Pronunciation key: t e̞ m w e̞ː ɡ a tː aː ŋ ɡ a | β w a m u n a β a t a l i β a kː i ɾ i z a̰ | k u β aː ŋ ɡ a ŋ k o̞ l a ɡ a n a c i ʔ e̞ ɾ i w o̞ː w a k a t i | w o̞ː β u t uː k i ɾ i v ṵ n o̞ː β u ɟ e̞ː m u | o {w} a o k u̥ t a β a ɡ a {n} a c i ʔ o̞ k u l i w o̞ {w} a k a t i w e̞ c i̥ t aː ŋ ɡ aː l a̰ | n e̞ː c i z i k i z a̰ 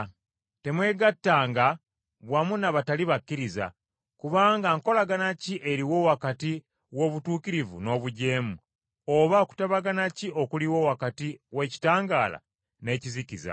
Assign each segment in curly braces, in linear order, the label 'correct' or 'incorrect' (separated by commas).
incorrect, correct, correct